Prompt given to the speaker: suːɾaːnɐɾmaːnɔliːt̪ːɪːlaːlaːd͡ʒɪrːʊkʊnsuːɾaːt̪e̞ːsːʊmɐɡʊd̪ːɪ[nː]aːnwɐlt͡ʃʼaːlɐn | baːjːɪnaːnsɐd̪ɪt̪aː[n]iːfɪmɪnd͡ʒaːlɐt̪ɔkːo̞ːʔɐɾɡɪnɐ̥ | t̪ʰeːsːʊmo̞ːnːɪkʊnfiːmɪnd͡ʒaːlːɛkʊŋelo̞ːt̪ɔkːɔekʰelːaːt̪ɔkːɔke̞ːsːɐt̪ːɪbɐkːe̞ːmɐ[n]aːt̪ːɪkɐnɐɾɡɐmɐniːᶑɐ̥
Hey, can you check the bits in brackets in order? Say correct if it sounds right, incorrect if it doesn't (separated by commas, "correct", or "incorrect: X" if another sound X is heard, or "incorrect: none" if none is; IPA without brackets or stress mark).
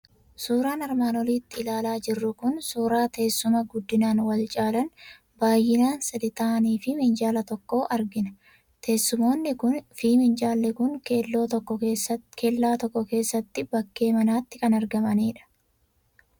incorrect: n, correct, correct